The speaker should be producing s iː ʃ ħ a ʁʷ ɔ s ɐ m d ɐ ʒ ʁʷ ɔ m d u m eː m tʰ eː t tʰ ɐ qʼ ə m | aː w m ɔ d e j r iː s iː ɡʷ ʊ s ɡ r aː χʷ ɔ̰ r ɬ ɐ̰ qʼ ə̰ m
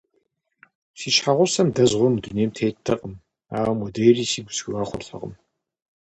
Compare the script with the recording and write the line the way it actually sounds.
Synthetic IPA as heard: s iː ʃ ħ a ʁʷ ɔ s ɐ m d ɐ z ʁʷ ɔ m d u n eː m tʰ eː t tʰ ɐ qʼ ə m | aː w m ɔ d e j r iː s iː ɡʷ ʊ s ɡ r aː χʷ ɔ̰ r ɬ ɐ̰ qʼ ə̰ m